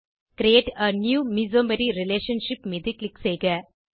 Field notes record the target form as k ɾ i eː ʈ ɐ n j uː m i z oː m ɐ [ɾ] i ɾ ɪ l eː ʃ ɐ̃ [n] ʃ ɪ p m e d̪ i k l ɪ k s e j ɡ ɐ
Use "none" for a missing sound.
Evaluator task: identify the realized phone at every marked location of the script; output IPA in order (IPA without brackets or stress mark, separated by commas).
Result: ɾ, n